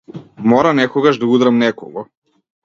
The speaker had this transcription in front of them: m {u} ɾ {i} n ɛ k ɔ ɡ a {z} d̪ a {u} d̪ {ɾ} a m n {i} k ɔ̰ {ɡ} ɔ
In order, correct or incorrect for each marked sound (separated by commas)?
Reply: incorrect, incorrect, incorrect, correct, correct, incorrect, correct